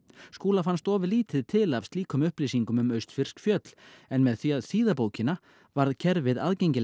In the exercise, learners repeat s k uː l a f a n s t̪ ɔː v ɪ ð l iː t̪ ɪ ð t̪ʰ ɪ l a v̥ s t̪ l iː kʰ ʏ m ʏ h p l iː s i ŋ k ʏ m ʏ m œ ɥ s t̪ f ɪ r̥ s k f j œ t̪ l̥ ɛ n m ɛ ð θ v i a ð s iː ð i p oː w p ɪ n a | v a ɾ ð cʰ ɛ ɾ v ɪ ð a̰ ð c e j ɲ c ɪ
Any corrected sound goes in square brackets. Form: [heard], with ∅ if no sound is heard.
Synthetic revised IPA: s k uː l a f a n s t̪ ɔː v ɪ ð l iː t̪ ɪ ð t̪ʰ ɪ l a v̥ s t̪ l iː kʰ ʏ m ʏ h p l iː s i ŋ k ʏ m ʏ m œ ɥ s t̪ f ɪ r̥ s k f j œ t̪ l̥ ɛ n m ɛ ð θ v i a ð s iː ð [a] p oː w [c] ɪ n a | v a ɾ ð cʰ ɛ ɾ v ɪ ð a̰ ð c e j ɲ c ɪ